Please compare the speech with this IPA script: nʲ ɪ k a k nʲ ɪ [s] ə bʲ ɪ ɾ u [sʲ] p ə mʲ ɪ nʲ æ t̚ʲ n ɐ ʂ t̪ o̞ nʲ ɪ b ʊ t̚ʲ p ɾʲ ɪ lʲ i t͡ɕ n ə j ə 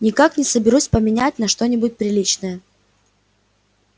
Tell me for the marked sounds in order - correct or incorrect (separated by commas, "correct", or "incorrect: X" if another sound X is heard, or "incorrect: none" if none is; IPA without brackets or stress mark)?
correct, correct